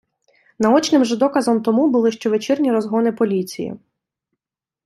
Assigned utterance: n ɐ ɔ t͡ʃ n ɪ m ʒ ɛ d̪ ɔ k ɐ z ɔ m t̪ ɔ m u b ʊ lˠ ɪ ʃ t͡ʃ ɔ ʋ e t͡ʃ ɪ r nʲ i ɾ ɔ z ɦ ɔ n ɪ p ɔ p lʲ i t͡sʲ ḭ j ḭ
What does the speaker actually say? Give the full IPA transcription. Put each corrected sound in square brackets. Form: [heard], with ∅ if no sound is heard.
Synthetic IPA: n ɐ ɔ t͡ʃ n ɪ m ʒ ɛ d̪ ɔ k ɐ z ɔ m t̪ ɔ m u b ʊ lˠ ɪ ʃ t͡ʃ ɔ ʋ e t͡ʃ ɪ r nʲ i ɾ ɔ z ɦ ɔ n ɪ p ɔ [∅] lʲ i t͡sʲ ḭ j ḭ